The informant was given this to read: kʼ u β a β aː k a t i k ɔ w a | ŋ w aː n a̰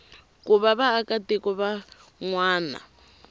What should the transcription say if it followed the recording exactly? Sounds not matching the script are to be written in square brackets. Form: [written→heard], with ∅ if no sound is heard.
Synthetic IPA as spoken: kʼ u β a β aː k a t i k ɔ [w→β] a | ŋ w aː n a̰